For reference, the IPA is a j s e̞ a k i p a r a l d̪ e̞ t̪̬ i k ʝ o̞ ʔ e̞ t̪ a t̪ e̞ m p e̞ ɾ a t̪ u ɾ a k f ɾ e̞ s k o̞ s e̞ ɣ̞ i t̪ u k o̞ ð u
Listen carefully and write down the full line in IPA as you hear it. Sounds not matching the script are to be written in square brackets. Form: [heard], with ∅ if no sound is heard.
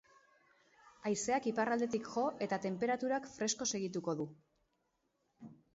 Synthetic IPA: a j s e̞ a k i p a r a l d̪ e̞ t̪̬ i k ʝ o̞ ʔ e̞ t̪ a t̪ e̞ m p e̞ ɾ a t̪ u ɾ a k f ɾ e̞ s k o̞ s e̞ ɣ̞ i t̪ u k o̞ ð u